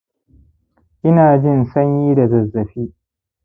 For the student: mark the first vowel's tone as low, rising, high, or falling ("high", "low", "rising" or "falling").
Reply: high